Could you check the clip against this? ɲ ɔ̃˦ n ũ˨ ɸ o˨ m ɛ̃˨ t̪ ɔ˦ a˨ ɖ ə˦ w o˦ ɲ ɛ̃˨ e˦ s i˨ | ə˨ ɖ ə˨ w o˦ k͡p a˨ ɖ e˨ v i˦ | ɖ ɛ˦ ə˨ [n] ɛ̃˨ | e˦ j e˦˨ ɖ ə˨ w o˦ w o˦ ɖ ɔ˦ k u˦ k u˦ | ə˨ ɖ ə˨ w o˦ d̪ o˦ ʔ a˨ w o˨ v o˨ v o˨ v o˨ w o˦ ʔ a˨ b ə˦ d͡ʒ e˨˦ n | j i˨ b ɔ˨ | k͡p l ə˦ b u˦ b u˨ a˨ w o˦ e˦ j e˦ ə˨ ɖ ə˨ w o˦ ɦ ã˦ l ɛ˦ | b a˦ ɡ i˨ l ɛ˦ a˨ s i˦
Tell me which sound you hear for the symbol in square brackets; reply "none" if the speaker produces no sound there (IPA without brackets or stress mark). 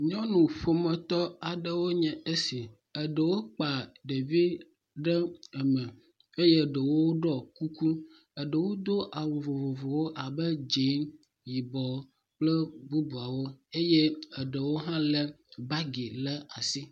m